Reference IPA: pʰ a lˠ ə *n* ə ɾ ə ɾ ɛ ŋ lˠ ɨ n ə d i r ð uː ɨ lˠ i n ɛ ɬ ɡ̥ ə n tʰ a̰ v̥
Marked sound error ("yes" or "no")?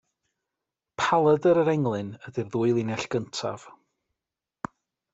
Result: yes